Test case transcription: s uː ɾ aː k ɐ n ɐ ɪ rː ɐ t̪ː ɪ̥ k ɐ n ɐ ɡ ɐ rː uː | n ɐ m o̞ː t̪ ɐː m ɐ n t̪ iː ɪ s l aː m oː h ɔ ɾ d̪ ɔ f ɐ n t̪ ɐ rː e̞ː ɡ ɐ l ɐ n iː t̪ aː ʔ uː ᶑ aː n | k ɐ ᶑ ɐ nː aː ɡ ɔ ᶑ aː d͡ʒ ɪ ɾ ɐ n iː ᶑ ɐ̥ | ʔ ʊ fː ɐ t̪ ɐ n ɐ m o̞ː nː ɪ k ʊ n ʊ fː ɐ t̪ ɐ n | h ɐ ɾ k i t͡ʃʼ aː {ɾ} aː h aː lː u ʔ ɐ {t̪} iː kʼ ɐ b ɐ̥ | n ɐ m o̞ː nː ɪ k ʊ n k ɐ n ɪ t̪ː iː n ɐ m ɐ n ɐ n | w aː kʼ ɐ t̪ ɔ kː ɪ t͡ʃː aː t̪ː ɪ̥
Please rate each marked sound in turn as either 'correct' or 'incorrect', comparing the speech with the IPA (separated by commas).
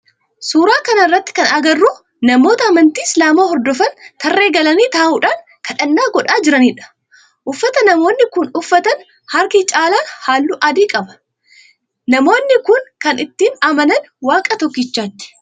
incorrect, incorrect